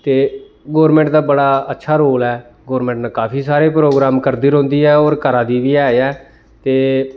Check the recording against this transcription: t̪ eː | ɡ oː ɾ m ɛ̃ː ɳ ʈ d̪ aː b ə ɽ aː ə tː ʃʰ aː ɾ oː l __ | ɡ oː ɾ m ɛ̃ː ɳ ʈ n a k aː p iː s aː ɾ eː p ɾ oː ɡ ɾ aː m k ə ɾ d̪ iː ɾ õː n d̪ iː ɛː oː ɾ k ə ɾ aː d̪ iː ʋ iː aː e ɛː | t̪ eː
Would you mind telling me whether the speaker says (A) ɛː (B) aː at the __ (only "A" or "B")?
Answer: A